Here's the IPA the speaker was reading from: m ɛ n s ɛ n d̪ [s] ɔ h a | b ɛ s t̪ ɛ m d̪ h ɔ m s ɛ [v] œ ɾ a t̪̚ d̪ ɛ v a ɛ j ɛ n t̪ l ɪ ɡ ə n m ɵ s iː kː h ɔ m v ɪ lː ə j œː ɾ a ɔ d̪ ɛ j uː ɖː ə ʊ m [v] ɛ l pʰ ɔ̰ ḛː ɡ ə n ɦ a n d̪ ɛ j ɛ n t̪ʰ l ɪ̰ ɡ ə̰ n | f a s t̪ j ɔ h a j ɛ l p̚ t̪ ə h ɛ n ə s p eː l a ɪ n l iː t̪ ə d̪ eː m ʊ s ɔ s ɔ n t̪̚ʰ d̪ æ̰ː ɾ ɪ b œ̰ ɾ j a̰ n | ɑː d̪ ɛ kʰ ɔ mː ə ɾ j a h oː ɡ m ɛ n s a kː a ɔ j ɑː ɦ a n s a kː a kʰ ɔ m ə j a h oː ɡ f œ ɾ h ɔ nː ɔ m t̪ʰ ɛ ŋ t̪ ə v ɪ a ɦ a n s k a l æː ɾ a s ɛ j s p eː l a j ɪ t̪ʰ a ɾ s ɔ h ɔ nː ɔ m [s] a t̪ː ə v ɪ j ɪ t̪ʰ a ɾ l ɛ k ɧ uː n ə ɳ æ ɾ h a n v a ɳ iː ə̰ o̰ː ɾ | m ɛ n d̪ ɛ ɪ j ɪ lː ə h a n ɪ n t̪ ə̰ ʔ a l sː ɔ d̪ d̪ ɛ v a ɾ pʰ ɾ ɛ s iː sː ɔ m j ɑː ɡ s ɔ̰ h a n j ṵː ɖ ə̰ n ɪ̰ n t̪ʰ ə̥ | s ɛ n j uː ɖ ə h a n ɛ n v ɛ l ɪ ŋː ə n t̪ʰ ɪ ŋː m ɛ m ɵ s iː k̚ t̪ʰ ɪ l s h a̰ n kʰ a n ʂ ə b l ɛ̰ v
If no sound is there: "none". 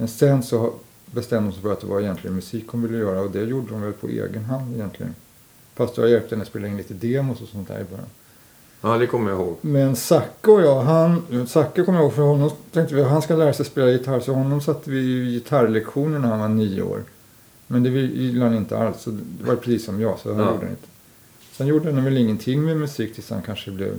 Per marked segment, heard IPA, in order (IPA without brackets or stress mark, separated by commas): s, f, v, s